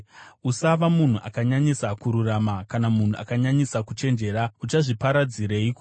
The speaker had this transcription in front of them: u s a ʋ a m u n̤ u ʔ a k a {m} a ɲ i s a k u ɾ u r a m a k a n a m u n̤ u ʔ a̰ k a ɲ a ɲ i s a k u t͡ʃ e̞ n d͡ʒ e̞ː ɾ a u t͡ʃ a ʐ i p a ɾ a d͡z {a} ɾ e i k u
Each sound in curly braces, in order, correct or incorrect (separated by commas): incorrect, incorrect